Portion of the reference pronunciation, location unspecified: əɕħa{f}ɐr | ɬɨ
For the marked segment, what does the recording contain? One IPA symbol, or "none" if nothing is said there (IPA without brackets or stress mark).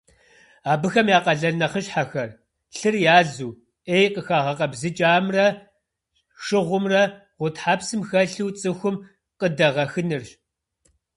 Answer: x